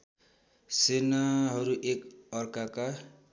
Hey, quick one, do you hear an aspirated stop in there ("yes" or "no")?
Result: no